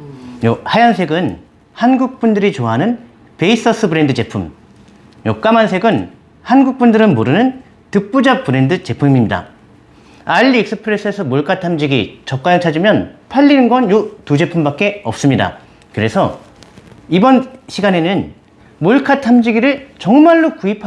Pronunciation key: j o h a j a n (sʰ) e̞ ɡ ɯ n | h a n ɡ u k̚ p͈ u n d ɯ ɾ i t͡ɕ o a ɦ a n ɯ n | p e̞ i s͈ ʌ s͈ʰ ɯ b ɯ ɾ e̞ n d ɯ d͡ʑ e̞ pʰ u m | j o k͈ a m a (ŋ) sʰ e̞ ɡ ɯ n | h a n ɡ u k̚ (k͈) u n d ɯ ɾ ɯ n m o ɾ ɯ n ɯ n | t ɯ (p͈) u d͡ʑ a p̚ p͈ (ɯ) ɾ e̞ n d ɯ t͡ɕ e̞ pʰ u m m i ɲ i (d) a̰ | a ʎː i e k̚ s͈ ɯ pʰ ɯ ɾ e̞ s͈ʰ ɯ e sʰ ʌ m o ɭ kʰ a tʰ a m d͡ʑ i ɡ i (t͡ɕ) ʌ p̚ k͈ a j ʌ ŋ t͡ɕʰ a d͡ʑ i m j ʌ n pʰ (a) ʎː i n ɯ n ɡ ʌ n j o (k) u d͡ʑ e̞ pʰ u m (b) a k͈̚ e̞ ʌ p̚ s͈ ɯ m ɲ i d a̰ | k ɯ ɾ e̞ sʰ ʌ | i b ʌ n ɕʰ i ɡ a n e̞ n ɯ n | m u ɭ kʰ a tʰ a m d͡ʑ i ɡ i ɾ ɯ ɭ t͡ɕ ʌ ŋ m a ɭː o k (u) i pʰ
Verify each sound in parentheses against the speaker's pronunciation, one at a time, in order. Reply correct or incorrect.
correct, incorrect, incorrect, correct, correct, correct, correct, correct, incorrect, correct, correct

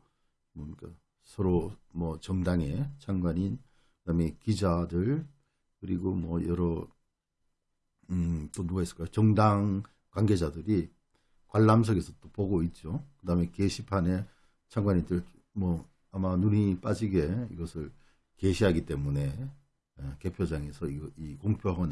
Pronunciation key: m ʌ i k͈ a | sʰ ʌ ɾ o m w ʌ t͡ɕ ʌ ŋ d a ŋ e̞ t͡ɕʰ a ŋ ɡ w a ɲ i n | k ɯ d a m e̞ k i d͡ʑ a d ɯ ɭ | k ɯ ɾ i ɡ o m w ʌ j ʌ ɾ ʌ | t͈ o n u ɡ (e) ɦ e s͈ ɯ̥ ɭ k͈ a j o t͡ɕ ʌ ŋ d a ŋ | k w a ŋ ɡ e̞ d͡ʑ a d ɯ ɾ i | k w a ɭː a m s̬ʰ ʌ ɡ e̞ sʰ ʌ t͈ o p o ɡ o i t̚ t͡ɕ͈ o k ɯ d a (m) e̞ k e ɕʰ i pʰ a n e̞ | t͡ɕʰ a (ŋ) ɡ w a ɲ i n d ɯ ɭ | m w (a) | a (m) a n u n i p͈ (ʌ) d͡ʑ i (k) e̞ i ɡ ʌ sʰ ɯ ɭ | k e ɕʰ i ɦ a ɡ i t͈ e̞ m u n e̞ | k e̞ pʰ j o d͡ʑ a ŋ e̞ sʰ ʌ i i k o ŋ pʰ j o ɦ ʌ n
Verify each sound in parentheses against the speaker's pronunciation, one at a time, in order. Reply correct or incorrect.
incorrect, correct, correct, incorrect, correct, incorrect, incorrect

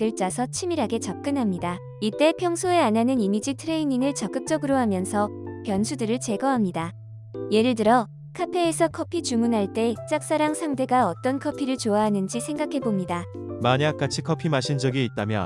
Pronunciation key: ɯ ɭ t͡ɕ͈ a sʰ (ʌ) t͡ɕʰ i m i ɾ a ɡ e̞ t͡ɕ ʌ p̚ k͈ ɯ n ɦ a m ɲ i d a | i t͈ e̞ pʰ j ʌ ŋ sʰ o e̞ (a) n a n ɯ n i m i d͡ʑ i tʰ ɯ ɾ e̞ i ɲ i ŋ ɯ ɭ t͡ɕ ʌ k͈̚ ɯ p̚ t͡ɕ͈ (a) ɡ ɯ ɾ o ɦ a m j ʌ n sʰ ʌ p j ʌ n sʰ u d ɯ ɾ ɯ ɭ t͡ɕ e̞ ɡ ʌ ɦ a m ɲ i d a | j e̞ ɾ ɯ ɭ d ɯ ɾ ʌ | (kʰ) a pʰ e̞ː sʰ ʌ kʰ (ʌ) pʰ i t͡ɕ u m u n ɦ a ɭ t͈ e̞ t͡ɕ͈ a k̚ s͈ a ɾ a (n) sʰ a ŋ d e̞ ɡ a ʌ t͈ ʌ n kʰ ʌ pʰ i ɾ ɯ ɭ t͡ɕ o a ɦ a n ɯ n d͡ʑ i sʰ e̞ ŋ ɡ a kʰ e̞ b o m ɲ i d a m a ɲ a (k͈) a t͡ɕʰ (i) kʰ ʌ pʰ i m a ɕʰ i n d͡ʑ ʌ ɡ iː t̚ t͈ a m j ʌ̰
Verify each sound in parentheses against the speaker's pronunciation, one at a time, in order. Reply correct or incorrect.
correct, correct, incorrect, correct, correct, incorrect, correct, correct

